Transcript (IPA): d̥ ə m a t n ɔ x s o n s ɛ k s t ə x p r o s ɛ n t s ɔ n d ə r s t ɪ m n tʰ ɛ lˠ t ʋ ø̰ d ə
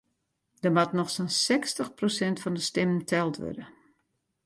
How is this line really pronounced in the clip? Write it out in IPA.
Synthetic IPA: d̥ ə m a t n ɔ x s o n s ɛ k s t ə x p r o s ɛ n t f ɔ n d ə s t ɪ m n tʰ ɛ lˠ t ʋ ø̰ d ə